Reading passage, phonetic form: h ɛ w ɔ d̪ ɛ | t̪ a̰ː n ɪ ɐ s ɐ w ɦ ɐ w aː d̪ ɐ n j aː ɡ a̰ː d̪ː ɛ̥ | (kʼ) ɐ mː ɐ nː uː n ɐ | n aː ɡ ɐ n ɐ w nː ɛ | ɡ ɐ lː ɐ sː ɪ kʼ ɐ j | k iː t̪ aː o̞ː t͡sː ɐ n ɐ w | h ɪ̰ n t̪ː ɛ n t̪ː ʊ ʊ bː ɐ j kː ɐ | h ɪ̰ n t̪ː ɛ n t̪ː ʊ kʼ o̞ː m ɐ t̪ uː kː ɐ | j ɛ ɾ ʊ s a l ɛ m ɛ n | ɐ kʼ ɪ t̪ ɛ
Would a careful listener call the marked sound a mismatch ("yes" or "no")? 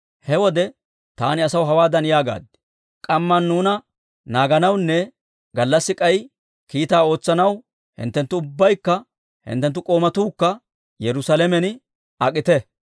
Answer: no